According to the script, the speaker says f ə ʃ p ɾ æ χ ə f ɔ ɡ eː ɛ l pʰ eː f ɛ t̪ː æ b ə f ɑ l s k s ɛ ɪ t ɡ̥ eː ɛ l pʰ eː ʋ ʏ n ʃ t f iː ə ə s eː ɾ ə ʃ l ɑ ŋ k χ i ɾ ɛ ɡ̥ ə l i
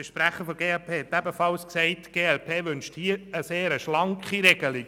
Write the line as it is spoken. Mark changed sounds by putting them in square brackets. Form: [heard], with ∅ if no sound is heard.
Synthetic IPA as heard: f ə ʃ p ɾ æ χ ə f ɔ ɡ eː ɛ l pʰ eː [h] ɛ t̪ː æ b ə f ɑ l s k s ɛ ɪ t ɡ̥ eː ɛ l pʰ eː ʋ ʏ n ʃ t [h] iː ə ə s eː ɾ ə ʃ l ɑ ŋ k χ i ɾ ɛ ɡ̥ ə l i